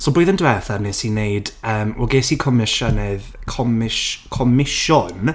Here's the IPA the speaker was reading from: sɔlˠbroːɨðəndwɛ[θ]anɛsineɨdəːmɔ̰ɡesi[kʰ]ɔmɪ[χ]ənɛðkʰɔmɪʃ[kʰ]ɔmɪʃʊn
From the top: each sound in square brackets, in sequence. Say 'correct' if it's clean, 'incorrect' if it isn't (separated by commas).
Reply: correct, correct, incorrect, correct